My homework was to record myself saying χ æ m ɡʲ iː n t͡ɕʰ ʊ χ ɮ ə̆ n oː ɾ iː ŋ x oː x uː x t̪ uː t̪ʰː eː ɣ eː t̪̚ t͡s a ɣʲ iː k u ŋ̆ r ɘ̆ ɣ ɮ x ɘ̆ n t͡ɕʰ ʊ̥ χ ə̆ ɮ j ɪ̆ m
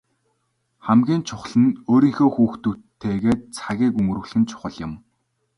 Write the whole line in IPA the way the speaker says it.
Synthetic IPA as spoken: χ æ m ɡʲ iː n t͡ɕʰ ʊ χ ɮ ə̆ n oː ɾ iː ŋ x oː x uː x t̪ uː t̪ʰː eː ɣ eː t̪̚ t͡sʰ a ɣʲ iː k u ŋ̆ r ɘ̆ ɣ ɮ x ɘ̆ n t͡ɕʰ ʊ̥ χ ə̆ ɮ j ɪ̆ m